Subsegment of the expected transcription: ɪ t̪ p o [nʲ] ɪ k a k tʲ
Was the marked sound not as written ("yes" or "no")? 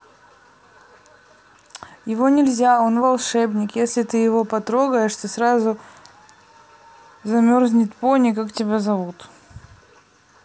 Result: no